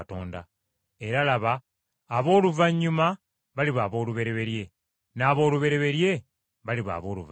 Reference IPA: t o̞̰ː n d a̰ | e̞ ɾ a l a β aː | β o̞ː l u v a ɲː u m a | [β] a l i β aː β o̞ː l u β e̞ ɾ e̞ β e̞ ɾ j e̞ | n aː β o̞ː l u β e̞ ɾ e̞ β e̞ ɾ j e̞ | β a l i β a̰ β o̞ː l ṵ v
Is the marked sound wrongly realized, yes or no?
no